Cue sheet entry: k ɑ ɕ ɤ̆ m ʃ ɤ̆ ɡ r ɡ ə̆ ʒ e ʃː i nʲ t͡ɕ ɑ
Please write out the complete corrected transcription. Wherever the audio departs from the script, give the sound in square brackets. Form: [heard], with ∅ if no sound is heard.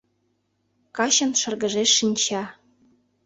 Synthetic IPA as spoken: k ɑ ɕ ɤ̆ [n] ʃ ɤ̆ [∅] r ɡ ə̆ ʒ e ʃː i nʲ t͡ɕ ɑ